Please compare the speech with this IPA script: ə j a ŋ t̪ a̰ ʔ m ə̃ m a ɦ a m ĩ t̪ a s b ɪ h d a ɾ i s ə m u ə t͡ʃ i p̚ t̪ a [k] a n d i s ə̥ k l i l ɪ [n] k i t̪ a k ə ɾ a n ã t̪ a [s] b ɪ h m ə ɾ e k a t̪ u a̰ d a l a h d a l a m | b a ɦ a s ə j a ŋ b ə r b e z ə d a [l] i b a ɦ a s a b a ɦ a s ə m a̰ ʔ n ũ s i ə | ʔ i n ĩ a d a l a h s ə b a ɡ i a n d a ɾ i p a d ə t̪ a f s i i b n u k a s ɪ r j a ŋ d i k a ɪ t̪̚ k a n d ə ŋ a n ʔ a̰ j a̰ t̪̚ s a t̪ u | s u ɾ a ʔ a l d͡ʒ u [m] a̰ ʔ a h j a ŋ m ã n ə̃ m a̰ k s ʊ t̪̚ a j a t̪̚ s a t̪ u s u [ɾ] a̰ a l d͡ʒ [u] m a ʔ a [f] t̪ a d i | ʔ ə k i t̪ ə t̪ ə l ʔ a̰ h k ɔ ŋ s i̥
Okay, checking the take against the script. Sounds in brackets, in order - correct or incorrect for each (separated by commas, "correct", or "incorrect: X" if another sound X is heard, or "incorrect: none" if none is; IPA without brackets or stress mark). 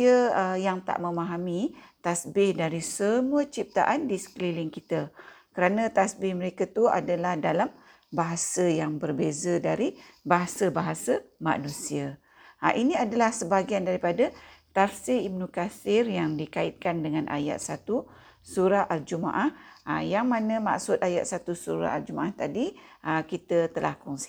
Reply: incorrect: ʔ, incorrect: ŋ, correct, incorrect: ɾ, correct, correct, correct, incorrect: h